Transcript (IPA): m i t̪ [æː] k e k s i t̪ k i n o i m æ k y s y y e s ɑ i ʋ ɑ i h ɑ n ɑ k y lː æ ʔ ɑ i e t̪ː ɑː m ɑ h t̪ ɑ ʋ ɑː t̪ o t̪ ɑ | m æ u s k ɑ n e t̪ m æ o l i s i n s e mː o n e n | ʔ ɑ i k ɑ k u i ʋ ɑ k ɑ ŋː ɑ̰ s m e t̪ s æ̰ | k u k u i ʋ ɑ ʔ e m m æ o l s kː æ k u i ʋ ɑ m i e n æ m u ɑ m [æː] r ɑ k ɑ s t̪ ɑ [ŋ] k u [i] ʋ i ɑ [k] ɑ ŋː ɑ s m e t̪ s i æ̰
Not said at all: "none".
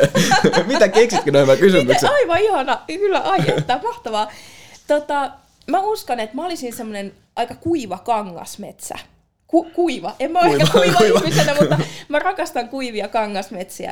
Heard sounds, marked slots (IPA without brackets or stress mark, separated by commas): æ, æ, ŋ, i, k